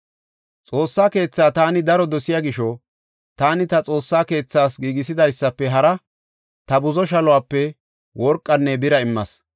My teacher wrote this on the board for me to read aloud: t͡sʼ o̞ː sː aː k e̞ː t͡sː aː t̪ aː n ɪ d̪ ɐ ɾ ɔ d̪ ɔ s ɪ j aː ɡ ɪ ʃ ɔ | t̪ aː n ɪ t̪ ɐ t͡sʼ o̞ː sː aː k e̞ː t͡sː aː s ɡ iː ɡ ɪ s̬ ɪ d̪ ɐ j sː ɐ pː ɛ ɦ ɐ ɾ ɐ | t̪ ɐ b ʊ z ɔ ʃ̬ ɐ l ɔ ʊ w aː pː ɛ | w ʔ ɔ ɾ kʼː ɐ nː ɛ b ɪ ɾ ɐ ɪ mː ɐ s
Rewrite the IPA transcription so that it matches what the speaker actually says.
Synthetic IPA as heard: t͡sʼ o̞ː sː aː k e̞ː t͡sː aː t̪ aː n ɪ d̪ ɐ ɾ ɔ d̪ ɔ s ɪ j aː ɡ ɪ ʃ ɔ | t̪ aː n ɪ t̪ ɐ t͡sʼ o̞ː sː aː k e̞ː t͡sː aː s ɡ iː ɡ ɪ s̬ ɪ d̪ ɐ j sː ɐ pː ɛ ɦ ɐ ɾ ɐ | t̪ ɐ b ʊ z ɔ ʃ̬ ɐ l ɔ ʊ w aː pː ɛ | w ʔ ɔ ɾ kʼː ɐ nː ɛ b ɪ ɾ ɐ ɪ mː ɐ s